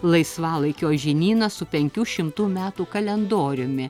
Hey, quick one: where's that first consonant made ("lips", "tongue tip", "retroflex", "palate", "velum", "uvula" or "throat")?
tongue tip